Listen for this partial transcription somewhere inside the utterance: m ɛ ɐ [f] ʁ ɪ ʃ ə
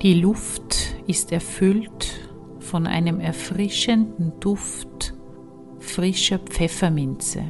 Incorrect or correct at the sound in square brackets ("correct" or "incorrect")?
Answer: correct